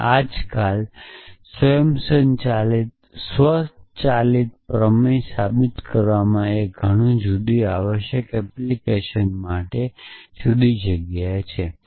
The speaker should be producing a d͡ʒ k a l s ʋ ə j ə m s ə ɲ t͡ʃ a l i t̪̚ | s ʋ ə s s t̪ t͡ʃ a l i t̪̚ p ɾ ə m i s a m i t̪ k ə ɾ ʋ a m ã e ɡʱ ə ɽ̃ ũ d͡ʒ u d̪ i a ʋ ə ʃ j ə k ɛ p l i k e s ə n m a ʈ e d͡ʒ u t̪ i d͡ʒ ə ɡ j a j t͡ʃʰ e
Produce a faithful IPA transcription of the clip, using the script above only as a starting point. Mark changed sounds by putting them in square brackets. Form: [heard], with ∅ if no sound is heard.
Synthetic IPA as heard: a d͡ʒ k a l s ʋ ə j ə m s ə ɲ t͡ʃ a l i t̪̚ | s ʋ ə s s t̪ t͡ʃ a l i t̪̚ p ɾ ə m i s a [b] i t̪ k ə ɾ ʋ a m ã e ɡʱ ə ɽ̃ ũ d͡ʒ u d̪ i a ʋ ə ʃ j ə k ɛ p l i k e [ʃ] ə n m a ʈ e d͡ʒ u [d̪] i d͡ʒ ə ɡ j a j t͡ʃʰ e